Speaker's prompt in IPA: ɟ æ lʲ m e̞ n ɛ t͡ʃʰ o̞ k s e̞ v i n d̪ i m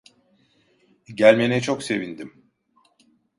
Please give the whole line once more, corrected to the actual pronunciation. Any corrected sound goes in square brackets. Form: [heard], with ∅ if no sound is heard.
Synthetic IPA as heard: ɟ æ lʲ m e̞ n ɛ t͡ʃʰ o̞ k s e̞ v i n d̪ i m